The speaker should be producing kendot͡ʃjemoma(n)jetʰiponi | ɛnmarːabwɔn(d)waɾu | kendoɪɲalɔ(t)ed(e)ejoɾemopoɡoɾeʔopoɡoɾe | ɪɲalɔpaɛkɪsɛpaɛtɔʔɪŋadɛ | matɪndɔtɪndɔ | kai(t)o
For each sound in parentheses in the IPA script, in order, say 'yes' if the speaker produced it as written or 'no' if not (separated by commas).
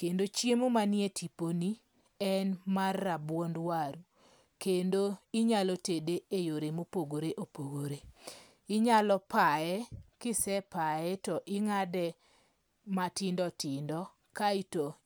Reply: yes, yes, yes, yes, yes